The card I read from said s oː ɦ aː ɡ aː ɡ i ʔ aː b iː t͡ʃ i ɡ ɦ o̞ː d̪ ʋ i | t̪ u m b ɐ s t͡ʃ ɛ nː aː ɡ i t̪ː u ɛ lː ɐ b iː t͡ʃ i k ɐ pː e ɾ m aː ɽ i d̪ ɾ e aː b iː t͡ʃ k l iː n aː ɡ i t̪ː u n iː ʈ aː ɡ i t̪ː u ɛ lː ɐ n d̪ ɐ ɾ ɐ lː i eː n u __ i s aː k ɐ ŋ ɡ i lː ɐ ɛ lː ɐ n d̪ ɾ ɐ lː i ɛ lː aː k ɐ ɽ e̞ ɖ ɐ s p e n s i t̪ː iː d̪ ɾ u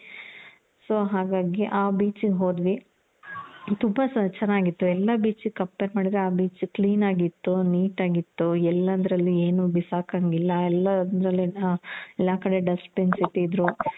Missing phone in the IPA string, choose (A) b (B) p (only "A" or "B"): A